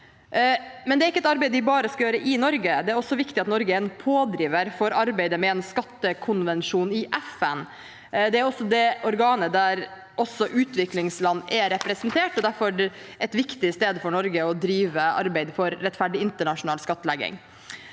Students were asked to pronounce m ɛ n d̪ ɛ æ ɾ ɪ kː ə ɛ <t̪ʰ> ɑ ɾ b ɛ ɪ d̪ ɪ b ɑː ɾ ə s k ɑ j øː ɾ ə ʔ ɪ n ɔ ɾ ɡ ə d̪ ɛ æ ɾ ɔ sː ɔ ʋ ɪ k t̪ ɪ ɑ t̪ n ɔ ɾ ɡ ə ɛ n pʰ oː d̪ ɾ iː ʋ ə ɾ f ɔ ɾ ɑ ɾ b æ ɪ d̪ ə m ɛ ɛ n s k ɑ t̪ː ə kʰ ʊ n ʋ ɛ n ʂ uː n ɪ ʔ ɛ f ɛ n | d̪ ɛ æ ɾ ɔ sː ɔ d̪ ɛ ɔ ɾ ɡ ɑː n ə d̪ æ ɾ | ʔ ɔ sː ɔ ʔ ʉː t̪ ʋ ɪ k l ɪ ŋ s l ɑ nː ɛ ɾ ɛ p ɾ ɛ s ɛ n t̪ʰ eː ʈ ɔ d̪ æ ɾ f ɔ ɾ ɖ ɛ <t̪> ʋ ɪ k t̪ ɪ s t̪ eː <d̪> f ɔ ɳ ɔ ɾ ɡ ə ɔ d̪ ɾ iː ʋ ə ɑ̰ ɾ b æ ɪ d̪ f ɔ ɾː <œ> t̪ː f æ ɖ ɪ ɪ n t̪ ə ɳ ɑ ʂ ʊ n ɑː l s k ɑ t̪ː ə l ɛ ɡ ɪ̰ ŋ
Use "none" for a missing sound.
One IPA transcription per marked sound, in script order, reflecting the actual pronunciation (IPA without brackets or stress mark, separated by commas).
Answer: t̪, t̪, d̪, ɛ